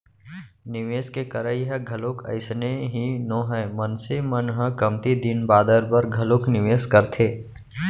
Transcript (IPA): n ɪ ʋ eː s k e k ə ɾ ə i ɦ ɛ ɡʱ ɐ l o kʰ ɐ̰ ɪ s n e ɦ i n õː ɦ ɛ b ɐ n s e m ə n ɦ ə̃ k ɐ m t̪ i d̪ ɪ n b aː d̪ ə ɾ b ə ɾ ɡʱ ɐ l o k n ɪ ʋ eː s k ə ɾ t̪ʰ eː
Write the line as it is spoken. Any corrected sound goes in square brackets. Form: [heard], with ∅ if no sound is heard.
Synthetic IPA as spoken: n ɪ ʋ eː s k e k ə ɾ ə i ɦ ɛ ɡʱ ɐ l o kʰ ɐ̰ ɪ s n e ɦ i n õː ɦ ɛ [m] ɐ n s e m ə n ɦ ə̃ k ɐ m t̪ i d̪ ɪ n b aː d̪ ə ɾ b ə ɾ ɡʱ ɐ l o k n ɪ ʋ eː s k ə ɾ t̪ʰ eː